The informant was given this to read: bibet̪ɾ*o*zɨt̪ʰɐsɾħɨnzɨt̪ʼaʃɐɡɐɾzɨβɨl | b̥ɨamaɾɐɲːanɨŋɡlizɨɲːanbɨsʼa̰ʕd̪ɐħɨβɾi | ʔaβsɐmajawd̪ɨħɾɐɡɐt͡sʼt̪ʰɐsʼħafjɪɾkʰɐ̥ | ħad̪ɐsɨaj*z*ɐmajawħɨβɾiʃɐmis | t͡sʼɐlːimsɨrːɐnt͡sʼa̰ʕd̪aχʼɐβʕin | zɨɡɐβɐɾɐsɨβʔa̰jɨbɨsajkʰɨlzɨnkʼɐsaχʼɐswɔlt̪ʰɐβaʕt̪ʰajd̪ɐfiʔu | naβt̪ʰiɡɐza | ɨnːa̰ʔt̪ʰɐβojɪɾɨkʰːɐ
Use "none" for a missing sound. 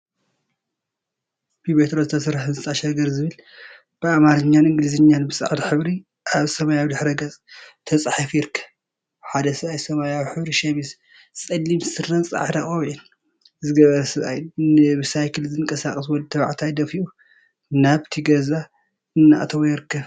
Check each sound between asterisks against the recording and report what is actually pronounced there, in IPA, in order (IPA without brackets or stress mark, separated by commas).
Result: o, s